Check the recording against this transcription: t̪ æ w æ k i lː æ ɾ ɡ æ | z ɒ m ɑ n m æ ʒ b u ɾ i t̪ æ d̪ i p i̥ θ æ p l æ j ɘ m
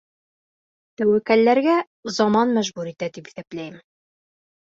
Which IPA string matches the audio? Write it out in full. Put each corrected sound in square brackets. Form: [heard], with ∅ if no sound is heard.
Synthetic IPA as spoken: t̪ æ w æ k [æ] lː æ ɾ ɡ æ | z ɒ m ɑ n m æ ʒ b u ɾ i t̪ æ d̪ i p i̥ θ æ p l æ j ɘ m